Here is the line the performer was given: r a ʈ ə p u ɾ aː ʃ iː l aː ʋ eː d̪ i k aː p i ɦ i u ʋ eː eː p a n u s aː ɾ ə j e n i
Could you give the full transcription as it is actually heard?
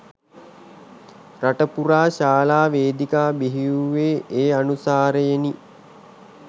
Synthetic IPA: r a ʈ ə p u ɾ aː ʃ aː l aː ʋ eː d̪ i k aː b i ɦ i u ʋ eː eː a n u s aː ɾ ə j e n i

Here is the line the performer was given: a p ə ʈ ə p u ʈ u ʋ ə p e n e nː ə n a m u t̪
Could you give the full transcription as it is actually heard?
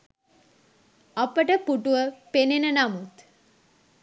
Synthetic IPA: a p ə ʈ ə p u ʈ u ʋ ə p e n e n ə n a m u t̪

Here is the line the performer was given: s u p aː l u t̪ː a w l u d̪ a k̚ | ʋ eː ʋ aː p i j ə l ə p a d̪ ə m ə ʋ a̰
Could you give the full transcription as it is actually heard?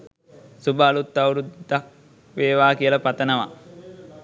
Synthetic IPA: s u b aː l u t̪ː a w ɾ u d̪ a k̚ | ʋ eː ʋ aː k i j ə l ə p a t̪ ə n ə ʋ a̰

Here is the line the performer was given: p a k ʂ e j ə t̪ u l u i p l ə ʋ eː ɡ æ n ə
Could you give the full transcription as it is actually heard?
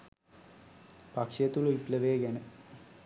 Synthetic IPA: p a k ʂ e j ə t̪ u l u i p l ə ʋ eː ɡ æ n ə

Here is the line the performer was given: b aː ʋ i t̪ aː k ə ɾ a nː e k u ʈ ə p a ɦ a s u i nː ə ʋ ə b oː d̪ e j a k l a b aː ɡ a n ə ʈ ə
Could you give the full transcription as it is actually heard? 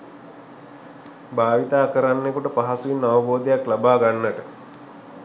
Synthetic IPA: b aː ʋ i t̪ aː k ə ɾ a nː e k u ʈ ə p a ɦ a s u i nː a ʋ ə b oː d̪ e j a k l a b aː ɡ a nː ə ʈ ə

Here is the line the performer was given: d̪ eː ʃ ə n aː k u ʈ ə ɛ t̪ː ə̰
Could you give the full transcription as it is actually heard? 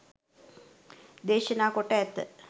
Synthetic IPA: d̪ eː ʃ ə n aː k o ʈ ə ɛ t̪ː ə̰

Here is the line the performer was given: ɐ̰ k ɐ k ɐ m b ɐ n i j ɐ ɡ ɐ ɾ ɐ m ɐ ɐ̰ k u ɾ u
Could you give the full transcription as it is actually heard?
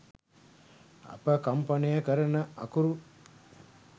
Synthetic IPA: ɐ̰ p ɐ k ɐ m p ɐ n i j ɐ k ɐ ɾ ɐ n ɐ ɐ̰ k u ɾ u

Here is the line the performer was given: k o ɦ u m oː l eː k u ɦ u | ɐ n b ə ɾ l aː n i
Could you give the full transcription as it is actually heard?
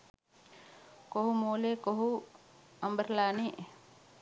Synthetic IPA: k o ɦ u m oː l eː k o ɦ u | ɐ m b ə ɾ l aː n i

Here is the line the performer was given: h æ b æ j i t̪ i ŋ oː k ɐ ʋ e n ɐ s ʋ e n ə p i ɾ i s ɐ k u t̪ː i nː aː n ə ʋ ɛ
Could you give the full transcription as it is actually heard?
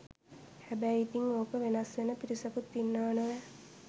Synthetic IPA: h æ b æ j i t̪ i ŋ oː k ə ʋ e n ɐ s ʋ e n ə p i ɾ i s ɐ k u t̪ː i nː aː n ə ʋ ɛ

